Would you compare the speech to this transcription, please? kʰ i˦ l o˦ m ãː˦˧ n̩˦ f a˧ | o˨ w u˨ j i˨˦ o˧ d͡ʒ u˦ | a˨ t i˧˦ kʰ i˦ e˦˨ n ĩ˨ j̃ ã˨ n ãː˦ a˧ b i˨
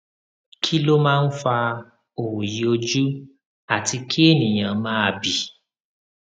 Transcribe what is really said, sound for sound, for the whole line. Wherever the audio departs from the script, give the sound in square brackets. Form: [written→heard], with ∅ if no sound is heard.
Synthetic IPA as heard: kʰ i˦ l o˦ m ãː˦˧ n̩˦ f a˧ | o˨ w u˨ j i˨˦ o˧ d͡ʒ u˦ | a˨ t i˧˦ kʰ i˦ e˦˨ n ĩ˨ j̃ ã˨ [n→m] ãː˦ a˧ b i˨

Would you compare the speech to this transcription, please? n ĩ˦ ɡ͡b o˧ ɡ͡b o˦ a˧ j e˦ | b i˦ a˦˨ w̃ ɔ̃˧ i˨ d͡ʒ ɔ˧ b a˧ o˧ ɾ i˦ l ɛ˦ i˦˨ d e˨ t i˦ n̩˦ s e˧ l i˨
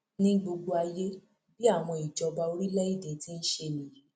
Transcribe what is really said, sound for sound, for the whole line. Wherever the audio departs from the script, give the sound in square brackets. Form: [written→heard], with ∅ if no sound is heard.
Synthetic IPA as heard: n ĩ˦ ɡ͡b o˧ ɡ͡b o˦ a˧ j e˦ | b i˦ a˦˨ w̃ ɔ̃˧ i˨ d͡ʒ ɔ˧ b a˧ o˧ ɾ i˦ l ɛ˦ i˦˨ d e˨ t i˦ n̩˦ [s→ʃ] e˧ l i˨

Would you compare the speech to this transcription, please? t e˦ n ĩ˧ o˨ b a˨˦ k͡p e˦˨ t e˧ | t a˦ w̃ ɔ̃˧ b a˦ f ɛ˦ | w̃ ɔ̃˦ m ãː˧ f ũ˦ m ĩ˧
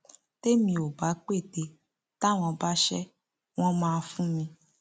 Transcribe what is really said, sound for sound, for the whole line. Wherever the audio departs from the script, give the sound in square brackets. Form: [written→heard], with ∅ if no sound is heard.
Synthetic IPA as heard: t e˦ [n→m] ĩ˧ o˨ b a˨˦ k͡p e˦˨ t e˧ | t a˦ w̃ ɔ̃˧ b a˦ [f→ʃ] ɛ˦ | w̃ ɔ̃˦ m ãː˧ f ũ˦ m ĩ˧

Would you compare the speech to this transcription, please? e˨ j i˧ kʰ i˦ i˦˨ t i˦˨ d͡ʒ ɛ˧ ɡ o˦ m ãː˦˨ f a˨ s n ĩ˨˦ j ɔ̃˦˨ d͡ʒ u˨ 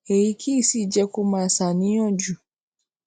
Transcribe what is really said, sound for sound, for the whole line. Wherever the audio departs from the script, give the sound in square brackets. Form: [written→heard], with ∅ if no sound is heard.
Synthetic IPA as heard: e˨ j i˧ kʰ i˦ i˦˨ [t→s] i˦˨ d͡ʒ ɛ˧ [ɡ→k] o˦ m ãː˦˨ [f→s] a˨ [s→∅] n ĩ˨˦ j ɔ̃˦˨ d͡ʒ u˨

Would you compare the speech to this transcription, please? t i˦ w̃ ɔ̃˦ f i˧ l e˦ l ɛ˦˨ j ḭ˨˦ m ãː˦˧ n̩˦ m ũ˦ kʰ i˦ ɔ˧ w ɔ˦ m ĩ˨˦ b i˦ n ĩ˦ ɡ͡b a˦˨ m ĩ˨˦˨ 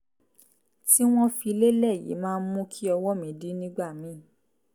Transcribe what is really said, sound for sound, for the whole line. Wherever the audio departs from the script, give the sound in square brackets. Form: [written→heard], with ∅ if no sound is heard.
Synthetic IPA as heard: t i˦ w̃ ɔ̃˦ f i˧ l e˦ l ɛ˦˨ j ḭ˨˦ m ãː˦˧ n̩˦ m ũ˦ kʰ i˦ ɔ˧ w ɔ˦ m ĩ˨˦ [b→d] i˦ n ĩ˦ ɡ͡b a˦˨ m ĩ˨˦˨

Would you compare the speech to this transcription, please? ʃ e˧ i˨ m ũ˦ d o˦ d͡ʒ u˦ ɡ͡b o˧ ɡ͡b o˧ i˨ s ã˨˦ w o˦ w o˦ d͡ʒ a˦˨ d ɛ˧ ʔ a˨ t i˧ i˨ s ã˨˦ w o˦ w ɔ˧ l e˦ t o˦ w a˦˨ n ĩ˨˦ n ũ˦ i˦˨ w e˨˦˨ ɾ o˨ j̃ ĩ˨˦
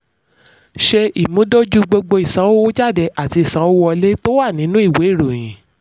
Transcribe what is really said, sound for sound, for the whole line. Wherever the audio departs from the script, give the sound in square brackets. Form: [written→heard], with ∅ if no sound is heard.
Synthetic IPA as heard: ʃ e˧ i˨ m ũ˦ d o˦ d͡ʒ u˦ ɡ͡b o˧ ɡ͡b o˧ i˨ s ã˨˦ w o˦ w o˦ d͡ʒ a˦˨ d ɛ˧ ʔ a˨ t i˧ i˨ s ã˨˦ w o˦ w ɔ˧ l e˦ t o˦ w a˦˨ n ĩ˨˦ n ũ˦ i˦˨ w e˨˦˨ ɾ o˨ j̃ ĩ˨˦

